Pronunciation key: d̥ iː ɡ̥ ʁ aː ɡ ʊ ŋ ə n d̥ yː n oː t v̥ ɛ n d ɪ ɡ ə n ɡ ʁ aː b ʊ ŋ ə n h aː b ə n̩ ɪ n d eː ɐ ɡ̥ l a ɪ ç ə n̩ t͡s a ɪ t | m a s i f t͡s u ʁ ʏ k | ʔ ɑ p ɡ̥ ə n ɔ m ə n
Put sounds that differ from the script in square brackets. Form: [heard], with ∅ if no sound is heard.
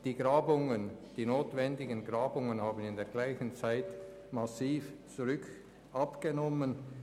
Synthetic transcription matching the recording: d̥ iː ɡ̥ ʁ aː [b] ʊ ŋ ə n d̥ [iː] n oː t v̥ ɛ n d ɪ ɡ ə n ɡ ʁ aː b ʊ ŋ ə n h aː b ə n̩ ɪ n d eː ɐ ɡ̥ l a ɪ ç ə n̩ t͡s a ɪ t | m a s [iː] f t͡s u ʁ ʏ k | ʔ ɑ p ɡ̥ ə n ɔ m ə n